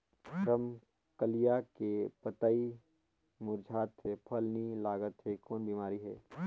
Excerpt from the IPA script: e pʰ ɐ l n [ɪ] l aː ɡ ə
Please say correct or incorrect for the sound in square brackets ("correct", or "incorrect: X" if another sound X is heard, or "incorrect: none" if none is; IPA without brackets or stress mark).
incorrect: i